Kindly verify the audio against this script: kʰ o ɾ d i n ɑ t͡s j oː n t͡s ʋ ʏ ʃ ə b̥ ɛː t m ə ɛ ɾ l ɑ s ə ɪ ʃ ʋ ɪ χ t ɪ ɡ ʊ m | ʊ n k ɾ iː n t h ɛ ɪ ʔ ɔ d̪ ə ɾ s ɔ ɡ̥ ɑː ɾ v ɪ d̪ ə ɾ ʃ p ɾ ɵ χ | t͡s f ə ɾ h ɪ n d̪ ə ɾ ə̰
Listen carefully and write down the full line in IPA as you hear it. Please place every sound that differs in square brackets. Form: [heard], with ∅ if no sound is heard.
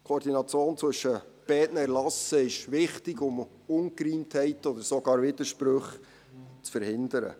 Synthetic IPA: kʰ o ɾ d i n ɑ t͡s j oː n t͡s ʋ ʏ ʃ ə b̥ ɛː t [n] ə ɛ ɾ l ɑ s ə ɪ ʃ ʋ ɪ χ t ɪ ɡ ʊ m | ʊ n k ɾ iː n t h ɛ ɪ [t] ɔ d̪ ə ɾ s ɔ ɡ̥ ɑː ɾ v ɪ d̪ ə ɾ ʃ p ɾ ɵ χ | t͡s f ə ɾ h ɪ n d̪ ə ɾ ə̰